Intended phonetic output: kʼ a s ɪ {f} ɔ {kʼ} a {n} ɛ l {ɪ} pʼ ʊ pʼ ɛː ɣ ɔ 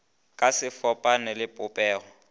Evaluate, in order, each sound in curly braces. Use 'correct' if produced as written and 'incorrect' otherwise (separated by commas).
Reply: correct, incorrect, correct, correct